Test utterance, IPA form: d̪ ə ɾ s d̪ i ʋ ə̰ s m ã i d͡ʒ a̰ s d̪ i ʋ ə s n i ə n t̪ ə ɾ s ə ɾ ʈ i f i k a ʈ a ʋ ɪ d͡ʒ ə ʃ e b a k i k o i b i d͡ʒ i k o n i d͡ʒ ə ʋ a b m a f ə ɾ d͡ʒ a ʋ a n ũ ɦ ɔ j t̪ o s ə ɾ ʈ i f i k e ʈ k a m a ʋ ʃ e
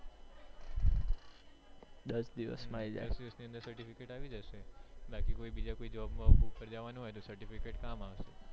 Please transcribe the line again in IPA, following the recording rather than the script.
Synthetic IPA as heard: d̪ ə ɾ s d̪ i ʋ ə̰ s m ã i d͡ʒ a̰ s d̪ i ʋ ə s n i ə n d̪ ə ɾ s ə ɾ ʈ i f i k e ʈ a ʋ i d͡ʒ ə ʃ e b a k i k o i b i d͡ʒ a k o i d͡ʒ ə ʋ a b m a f ə ɾ d͡ʒ a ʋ a n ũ ɦ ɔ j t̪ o s ə ɾ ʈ i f i k e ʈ k a m a ʋ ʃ e